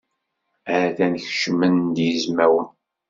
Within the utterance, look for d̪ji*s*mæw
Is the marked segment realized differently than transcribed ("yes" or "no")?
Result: yes